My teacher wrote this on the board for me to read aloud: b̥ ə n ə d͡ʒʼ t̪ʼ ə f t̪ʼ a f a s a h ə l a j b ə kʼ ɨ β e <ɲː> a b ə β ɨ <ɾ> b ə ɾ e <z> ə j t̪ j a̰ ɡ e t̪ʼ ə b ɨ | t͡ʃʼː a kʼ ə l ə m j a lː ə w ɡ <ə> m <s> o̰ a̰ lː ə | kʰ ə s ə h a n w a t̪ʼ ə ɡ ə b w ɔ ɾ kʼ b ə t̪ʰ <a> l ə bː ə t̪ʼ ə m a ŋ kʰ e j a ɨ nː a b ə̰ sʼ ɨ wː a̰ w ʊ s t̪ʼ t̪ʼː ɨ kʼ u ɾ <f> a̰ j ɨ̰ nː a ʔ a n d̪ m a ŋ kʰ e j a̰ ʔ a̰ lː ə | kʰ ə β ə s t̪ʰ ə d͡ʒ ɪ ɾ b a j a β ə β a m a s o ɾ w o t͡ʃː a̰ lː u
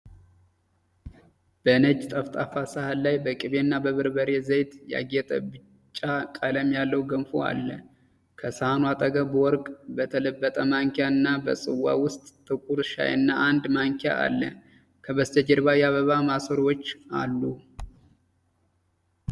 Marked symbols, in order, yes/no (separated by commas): no, yes, yes, yes, no, no, no